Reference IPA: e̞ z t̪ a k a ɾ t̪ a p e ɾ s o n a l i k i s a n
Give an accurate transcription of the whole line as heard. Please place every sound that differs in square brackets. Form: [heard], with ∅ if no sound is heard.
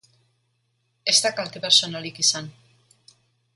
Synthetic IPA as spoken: e̞ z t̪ a k a [l] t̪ [e] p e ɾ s o n a l i k i s a n